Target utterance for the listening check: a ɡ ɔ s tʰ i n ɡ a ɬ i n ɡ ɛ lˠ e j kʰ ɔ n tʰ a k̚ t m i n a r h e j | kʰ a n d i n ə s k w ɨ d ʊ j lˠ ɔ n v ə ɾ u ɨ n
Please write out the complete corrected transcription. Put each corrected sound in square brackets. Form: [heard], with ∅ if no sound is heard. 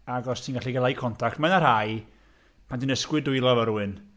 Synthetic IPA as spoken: a ɡ ɔ s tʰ i n ɡ a ɬ i [∅] ɡ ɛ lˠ [a] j kʰ ɔ n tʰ a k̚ t m [a] n a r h [a] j | [pʰ] a n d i n ə s k w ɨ d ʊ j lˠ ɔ [∅] v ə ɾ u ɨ n